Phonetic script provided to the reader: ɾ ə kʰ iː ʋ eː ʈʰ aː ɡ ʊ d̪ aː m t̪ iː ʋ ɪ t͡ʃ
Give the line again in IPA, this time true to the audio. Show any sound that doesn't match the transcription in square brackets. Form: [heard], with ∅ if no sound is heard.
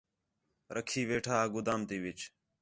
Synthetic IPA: ɾ ə kʰ iː ʋ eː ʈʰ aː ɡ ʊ d̪ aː m t̪ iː ʋ ɪ t͡ʃ